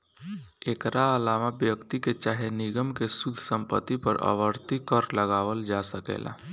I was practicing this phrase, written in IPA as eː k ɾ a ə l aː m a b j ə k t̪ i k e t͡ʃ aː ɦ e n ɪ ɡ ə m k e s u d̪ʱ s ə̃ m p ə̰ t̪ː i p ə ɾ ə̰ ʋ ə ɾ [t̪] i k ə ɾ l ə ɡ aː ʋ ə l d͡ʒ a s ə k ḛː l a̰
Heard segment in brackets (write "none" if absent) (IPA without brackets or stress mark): t̪